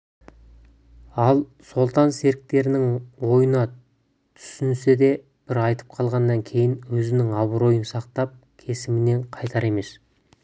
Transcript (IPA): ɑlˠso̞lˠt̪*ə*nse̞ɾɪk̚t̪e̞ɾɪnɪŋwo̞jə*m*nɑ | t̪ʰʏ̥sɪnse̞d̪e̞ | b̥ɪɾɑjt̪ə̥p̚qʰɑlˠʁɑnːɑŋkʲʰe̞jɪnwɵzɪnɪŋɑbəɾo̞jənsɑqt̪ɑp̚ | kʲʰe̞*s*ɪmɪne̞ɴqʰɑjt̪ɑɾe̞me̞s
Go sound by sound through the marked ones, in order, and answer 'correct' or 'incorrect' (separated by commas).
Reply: incorrect, incorrect, correct